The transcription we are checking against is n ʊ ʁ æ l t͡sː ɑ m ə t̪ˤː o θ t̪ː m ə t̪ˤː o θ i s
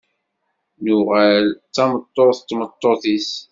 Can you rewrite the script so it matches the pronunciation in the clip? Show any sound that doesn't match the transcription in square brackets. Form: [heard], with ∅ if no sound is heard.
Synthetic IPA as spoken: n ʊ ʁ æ l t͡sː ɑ m ə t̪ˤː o θ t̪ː m ə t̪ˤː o θ i s